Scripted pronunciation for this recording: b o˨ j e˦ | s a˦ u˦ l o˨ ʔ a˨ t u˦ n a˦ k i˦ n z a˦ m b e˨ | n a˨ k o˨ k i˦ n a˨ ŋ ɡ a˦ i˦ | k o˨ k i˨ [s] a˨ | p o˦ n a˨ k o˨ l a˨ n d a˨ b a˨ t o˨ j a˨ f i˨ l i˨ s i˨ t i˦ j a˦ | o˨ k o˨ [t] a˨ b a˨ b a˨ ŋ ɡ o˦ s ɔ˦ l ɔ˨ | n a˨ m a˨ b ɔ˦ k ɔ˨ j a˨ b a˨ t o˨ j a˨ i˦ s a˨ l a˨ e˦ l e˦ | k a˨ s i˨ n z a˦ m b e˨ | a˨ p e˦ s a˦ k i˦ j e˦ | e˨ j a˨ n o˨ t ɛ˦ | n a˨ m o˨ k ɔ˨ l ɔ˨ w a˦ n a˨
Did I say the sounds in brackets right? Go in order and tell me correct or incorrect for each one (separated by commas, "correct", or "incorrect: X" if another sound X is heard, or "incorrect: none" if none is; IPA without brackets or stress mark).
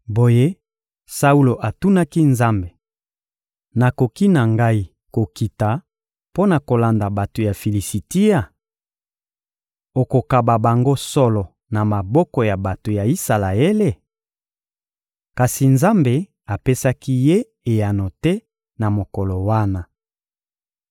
incorrect: t, incorrect: k